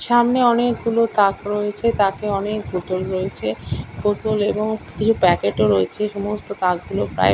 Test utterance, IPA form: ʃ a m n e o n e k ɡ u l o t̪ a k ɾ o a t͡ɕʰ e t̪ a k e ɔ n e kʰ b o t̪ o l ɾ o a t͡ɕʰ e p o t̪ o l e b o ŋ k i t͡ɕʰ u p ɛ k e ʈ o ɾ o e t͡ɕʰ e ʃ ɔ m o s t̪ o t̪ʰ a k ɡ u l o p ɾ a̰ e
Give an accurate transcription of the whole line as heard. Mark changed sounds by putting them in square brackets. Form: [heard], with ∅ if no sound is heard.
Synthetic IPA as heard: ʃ a m n e [ɔ] n e k ɡ u l o t̪ a k ɾ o [e] t͡ɕʰ e t̪ a k e ɔ n e [k] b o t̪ o l ɾ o [e] t͡ɕʰ e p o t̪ o l e b o ŋ k i t͡ɕʰ u p ɛ k e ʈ o ɾ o e t͡ɕʰ e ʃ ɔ m o s t̪ o [t̪] a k ɡ u l o p ɾ a̰ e